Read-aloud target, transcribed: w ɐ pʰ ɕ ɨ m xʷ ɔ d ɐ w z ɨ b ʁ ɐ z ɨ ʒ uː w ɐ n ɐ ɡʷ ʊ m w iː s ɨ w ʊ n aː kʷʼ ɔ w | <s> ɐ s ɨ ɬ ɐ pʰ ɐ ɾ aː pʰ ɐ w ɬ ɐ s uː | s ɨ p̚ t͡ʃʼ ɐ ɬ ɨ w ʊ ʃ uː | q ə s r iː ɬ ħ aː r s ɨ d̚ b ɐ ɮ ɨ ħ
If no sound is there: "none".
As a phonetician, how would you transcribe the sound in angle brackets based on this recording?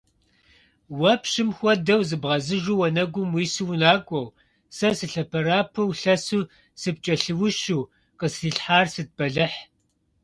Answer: s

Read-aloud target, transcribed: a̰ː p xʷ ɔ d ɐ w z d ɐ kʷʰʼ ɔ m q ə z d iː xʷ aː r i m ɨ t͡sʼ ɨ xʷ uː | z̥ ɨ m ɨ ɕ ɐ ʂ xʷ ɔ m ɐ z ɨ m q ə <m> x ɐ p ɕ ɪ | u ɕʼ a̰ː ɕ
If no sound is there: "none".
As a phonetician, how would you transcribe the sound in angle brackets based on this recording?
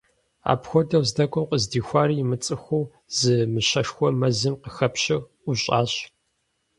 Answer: none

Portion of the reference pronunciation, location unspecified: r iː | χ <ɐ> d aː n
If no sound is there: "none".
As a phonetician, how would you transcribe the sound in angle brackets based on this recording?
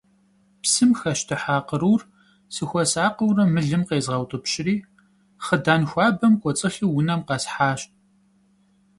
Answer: ə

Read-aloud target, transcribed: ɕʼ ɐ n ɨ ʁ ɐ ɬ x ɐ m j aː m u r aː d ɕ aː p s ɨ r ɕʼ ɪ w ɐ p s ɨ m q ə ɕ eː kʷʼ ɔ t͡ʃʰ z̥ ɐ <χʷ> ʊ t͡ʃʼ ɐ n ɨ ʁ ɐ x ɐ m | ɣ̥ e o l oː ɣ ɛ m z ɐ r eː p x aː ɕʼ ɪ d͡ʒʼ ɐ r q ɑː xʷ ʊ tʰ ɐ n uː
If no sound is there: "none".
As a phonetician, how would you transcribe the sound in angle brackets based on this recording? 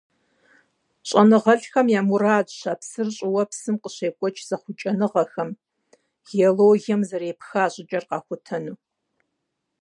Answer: χʷ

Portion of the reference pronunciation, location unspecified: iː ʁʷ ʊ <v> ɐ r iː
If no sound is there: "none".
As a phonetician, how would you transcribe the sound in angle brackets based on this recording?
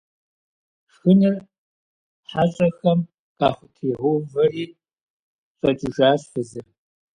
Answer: v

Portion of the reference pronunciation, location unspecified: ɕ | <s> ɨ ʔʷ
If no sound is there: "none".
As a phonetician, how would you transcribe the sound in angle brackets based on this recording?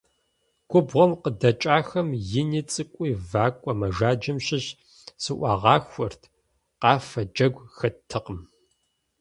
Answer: s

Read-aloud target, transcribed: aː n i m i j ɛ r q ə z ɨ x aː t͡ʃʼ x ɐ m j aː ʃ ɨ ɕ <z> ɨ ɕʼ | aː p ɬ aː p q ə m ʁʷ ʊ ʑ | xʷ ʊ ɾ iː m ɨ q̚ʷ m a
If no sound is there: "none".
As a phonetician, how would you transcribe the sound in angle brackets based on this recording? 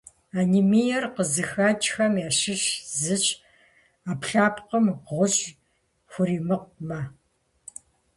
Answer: z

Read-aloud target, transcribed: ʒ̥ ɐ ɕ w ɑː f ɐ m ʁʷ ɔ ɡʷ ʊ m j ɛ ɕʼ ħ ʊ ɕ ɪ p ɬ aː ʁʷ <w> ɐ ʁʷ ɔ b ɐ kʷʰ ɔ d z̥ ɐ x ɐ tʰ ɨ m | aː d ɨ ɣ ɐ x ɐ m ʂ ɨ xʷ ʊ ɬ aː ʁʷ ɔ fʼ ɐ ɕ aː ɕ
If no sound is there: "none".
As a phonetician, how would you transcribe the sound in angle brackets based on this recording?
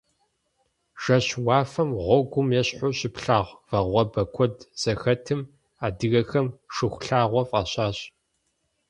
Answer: v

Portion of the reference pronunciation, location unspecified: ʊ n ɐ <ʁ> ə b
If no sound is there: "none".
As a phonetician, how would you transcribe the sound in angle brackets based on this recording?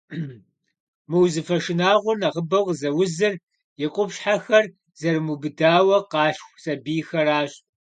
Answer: ʁ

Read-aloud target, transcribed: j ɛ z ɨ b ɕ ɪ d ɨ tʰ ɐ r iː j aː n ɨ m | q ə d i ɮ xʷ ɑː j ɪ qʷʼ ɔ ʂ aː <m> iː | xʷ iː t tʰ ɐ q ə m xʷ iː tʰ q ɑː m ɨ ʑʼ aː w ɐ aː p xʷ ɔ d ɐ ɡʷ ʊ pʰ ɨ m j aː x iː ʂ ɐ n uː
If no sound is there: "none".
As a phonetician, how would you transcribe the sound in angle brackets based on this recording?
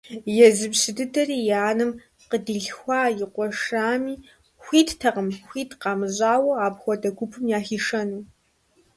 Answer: m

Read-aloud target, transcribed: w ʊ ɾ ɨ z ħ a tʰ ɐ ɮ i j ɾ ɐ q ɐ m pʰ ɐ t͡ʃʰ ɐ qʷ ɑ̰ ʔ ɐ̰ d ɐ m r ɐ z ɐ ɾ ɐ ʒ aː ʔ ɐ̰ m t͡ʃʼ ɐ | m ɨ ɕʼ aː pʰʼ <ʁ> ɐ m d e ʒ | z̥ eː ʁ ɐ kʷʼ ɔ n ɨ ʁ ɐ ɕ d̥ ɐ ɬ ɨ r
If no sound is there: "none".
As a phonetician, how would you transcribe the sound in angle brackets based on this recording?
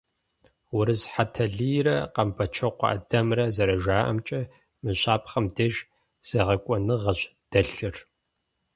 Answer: χ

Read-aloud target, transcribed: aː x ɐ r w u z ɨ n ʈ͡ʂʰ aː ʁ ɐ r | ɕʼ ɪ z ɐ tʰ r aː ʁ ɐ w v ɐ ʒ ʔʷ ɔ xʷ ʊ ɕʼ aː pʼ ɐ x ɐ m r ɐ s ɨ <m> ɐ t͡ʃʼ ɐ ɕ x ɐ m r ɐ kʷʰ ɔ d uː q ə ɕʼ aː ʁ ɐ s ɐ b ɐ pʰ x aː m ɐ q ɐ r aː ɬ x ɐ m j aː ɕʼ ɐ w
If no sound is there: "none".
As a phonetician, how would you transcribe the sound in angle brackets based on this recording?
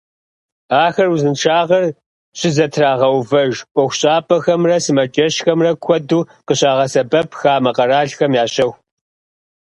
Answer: m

